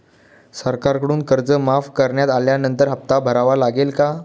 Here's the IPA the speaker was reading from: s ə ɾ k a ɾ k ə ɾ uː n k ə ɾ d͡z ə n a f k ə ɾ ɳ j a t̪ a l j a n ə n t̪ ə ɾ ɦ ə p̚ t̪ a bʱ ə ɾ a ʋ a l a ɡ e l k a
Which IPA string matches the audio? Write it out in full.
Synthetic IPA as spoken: s ə ɾ k a ɾ k ə ɽ uː n k ə ɾ d͡z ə m a f k ə ɾ ɳ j a t̪ a l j a n ə n t̪ ə ɾ ɦ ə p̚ t̪ a bʱ ə ɾ a ʋ a l a ɡ e l k a